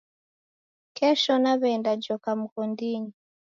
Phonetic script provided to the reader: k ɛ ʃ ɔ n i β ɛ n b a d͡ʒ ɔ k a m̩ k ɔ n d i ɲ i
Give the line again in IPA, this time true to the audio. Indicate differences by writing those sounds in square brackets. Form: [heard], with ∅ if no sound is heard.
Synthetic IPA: k ɛ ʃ ɔ n [a] β ɛ n [d] a d͡ʒ ɔ k a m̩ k ɔ n d i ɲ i